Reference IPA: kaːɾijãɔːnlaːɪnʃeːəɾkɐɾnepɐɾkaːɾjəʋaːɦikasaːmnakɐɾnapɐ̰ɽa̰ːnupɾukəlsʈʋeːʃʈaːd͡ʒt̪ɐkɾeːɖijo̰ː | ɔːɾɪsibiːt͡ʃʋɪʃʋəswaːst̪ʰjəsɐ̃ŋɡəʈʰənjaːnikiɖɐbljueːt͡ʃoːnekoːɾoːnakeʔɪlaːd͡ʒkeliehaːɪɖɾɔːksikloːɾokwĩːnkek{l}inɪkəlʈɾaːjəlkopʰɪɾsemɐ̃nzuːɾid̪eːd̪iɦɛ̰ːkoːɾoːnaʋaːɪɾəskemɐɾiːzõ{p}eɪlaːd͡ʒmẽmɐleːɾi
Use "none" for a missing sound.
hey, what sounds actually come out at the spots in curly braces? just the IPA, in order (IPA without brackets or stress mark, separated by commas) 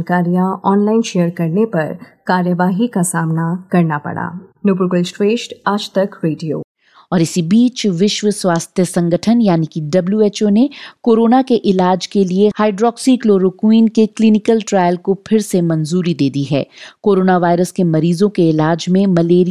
l, k